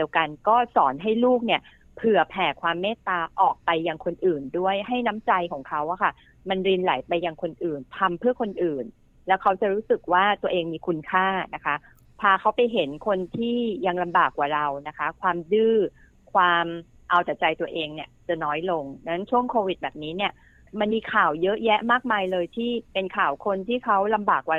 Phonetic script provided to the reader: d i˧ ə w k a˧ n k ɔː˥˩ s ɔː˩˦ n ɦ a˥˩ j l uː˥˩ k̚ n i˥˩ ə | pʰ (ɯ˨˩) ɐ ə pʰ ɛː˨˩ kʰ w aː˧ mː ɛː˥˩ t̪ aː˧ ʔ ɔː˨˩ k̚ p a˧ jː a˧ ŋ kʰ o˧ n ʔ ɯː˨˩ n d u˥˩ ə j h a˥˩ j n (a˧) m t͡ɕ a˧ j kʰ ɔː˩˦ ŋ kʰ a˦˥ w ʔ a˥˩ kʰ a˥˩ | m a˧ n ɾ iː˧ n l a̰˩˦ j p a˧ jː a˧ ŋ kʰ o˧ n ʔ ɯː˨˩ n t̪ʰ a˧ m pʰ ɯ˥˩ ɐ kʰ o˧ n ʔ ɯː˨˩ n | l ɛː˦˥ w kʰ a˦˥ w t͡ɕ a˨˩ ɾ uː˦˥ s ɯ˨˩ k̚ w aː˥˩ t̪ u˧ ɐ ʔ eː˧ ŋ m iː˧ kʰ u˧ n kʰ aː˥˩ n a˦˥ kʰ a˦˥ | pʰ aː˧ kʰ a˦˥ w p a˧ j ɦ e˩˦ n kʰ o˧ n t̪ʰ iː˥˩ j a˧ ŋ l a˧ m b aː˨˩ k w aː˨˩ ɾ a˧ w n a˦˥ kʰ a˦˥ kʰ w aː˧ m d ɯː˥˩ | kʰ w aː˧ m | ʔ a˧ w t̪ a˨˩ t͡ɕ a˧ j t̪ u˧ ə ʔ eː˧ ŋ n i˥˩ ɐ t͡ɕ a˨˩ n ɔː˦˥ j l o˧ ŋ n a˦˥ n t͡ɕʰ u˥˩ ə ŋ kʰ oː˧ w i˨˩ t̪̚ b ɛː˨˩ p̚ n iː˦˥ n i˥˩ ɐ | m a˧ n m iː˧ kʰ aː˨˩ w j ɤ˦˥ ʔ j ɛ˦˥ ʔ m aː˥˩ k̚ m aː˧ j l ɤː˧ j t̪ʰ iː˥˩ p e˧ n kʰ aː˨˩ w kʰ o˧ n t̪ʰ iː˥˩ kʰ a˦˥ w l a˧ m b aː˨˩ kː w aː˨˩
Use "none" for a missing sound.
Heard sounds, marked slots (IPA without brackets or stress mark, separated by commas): ɯ˨˩, a˦˥